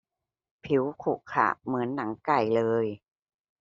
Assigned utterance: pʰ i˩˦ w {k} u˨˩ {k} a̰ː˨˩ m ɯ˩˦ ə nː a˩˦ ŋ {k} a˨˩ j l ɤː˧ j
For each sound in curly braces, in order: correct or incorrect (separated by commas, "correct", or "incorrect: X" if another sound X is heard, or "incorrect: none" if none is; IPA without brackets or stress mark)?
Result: incorrect: kʰ, incorrect: kʰ, correct